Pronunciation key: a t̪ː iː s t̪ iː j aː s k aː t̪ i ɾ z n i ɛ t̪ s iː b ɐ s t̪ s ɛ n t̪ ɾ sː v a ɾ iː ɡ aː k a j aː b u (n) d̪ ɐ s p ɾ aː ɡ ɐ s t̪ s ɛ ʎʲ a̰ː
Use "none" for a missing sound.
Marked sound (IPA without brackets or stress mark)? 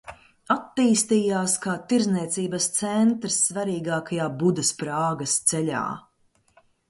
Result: none